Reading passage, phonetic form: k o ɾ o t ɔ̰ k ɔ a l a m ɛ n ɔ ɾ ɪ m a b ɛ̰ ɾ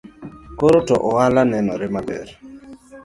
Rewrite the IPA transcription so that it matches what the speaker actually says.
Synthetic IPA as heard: k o ɾ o t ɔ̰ ʔ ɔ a l a n ɛ n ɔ ɾ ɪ m a b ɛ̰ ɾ